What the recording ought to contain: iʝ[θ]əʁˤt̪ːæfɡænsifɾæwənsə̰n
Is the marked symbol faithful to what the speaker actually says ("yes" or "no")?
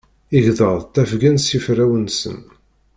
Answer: no